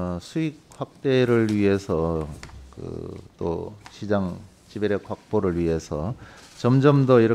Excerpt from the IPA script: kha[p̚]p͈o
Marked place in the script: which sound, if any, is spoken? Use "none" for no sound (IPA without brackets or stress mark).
k̚